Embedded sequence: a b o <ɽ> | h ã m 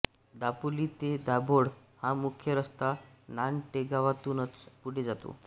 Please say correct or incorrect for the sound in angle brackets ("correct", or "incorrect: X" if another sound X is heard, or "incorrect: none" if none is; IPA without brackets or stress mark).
correct